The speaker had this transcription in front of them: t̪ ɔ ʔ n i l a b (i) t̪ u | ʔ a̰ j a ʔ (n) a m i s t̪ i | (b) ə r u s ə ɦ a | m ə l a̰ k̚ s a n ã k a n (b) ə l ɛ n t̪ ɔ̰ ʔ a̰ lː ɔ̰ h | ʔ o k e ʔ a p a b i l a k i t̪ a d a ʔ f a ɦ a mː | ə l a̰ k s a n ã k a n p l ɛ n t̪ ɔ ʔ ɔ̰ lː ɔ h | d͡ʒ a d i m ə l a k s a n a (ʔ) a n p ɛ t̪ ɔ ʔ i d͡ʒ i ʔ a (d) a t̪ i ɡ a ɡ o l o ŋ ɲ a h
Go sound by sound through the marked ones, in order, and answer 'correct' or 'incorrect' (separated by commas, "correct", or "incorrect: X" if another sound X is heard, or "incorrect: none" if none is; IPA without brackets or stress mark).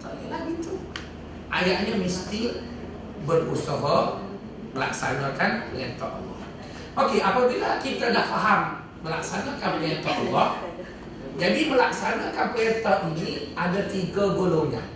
correct, incorrect: ɲ, correct, incorrect: p, incorrect: k, correct